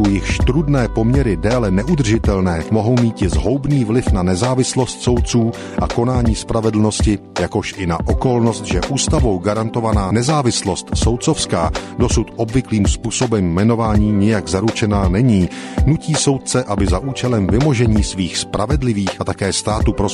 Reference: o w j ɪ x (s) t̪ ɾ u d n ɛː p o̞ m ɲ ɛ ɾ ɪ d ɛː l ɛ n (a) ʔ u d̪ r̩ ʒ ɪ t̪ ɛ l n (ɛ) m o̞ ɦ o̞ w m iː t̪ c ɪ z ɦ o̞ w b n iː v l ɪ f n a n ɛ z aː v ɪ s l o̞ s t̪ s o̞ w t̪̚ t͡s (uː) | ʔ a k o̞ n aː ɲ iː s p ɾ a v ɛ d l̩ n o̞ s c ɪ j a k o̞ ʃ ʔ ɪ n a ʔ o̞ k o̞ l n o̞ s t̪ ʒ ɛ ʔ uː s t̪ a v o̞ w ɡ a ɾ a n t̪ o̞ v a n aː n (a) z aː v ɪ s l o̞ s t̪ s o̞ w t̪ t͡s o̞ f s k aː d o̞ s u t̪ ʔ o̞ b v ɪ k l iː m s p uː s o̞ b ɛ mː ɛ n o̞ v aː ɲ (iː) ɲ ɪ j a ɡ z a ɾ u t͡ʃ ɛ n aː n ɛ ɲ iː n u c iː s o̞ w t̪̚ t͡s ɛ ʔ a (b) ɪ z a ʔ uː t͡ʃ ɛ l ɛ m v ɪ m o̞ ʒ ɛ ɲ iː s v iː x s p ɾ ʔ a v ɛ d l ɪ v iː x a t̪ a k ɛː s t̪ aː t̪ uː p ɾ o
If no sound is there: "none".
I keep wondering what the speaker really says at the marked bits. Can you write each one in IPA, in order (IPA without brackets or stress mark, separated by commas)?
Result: ʃ, ɛ, ɛː, uː, ɛ, iː, b